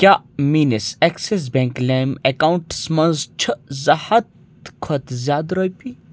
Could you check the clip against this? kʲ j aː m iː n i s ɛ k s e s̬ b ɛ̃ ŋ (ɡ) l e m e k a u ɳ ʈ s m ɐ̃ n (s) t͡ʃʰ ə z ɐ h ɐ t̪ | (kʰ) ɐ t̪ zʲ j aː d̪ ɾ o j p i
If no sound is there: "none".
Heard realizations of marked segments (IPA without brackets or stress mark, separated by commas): k, z, kʰ